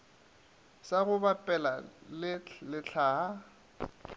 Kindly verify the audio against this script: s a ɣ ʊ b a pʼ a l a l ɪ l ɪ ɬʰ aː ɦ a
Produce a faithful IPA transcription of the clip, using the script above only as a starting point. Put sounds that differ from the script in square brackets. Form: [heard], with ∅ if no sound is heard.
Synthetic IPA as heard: s a ɣ ʊ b a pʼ [ɛ] l a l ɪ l ɪ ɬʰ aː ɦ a